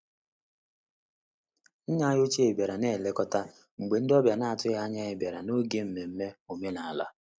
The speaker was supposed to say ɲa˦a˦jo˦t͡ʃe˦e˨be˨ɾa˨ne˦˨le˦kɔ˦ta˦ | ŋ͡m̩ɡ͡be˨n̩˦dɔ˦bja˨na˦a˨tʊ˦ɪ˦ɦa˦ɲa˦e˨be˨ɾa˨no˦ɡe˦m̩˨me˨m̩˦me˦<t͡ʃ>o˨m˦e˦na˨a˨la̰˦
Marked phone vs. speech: incorrect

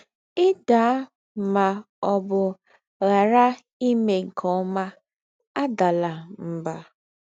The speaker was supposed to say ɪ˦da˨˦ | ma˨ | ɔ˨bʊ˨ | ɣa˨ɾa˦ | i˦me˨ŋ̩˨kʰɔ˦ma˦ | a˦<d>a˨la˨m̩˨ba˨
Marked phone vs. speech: correct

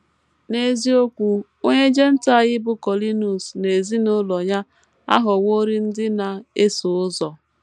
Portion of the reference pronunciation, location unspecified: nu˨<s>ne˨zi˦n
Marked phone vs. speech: correct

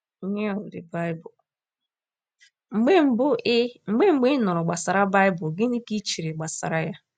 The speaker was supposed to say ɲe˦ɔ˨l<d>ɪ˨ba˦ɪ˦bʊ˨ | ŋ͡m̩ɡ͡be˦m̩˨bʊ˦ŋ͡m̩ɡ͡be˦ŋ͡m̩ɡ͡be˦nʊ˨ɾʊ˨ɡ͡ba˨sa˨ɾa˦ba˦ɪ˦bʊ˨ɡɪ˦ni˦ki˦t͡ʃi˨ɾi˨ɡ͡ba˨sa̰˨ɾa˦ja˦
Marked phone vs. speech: correct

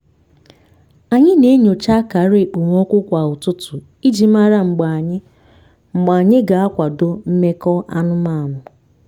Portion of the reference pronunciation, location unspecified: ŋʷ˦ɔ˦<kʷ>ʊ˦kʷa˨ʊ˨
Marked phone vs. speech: correct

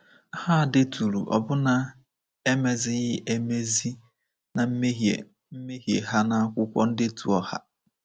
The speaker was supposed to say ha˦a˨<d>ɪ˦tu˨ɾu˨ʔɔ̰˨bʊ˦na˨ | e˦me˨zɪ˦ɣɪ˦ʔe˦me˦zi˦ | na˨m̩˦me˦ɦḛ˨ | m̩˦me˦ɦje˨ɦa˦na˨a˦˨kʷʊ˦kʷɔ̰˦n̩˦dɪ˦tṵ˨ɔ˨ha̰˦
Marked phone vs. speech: correct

